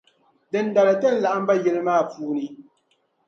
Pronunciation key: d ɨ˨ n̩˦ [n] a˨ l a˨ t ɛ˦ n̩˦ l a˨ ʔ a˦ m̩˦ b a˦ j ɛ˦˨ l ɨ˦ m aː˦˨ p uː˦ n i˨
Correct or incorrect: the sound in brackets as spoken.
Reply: incorrect: d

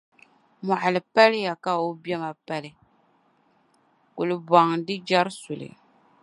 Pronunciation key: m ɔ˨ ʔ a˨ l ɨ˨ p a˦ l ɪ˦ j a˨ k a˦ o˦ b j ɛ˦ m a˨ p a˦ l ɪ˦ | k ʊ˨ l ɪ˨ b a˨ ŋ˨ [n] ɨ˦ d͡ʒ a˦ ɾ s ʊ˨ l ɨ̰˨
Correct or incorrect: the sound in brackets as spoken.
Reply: incorrect: d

